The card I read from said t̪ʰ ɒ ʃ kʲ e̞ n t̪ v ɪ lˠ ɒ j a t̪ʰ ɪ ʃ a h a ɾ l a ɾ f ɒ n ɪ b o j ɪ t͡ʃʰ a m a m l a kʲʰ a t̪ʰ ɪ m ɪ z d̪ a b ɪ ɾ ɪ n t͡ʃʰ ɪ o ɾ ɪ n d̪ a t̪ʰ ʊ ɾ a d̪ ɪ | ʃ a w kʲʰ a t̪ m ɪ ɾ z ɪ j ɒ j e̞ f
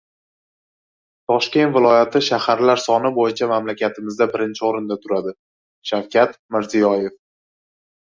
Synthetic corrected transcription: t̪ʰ ɒ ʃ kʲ e̞ n t̪ v ɪ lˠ ɒ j a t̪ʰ ɪ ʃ a h a ɾ l a ɾ s ɒ n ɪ b o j ɪ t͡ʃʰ a m a m l a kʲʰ a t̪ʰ ɪ m ɪ z d̪ a b ɪ ɾ ɪ n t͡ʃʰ ɪ o ɾ ɪ n d̪ a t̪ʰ ʊ ɾ a d̪ ɪ | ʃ a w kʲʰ a t̪ m ɪ ɾ z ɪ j ɒ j e̞ f

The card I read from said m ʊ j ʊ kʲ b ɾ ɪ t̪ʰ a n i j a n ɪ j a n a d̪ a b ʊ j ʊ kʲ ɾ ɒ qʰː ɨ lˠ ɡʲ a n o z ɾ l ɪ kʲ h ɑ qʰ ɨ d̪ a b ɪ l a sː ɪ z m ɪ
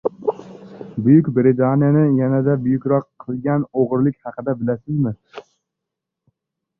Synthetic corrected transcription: b ʊ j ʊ kʲ b ɾ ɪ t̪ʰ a n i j a n ɪ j a n a d̪ a b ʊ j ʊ kʲ ɾ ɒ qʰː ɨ lˠ ɡʲ a n o ʁ ɾ l ɪ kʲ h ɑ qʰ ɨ d̪ a b ɪ l a s ɪ z m ɪ

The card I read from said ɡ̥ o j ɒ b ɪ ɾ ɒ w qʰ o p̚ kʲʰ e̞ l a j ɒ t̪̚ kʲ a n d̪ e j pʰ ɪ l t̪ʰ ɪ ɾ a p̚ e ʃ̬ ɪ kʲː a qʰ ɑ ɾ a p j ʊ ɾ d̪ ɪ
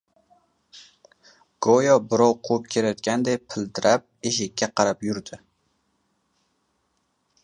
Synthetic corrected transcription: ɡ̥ o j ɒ b ɪ ɾ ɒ w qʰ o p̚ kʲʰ e̞ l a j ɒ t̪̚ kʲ a n d̪ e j pʰ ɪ l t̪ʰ ɪ ɾ a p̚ e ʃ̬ ɪ kʲː a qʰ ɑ ɾ a p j ʊ ɾ d̪ ɪ

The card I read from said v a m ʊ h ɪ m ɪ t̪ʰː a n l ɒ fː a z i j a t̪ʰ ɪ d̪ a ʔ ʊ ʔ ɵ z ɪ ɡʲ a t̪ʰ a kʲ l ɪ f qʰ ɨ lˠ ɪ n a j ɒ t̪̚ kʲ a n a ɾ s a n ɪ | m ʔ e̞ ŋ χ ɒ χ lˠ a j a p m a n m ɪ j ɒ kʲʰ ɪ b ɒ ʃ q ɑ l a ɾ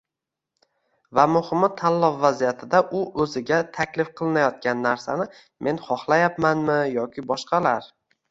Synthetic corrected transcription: v a m ʊ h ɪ m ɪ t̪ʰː a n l ɒ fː a z i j a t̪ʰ ɪ d̪ a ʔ ʊ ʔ ɵ z ɪ ɡʲ a t̪ʰ a kʲ l ɪ f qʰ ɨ lˠ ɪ n a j ɒ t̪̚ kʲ a nː a ɾ s a n ɪ | m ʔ e̞ n χ ɒ χ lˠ a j a p m a n m ɪ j ɒ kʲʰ ɪ b ɒ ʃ q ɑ l a ɾ

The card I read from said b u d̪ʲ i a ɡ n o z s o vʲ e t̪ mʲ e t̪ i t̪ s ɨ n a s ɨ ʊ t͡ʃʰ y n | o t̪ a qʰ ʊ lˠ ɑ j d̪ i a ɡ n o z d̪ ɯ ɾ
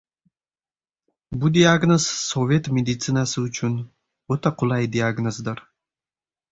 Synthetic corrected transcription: b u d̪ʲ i a ɡ n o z s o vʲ e t̪ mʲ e d̪ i t̪ s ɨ n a s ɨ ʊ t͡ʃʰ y n | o t̪ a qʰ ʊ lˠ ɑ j d̪ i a ɡ n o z d̪ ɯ ɾ

